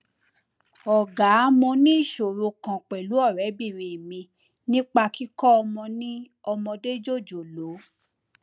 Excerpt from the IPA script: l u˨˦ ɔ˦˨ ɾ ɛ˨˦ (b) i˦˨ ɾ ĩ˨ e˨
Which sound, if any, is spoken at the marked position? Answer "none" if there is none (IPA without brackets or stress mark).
b